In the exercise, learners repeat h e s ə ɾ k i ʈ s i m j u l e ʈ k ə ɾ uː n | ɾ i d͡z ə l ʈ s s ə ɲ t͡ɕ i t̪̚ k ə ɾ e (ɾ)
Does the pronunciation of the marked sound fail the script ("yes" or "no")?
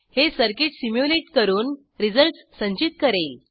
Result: yes